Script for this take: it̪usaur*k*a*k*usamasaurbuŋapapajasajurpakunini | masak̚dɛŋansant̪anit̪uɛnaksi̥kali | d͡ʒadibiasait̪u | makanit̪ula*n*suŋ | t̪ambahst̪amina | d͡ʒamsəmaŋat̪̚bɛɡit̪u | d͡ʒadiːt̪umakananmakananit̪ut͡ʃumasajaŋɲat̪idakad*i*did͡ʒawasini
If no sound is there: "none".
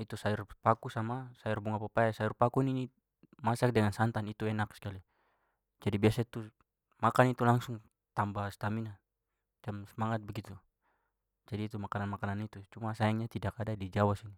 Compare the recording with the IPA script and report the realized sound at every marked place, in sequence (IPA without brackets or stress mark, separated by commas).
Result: p, k, ŋ, a